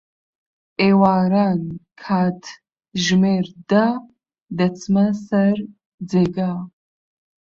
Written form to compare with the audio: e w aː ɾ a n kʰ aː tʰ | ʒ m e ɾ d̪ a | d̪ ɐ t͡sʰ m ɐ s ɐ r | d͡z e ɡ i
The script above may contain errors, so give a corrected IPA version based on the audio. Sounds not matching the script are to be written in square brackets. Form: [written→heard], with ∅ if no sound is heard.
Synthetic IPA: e w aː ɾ a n kʰ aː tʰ | ʒ m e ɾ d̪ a | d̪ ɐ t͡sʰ m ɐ s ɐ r | d͡z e ɡ [i→a]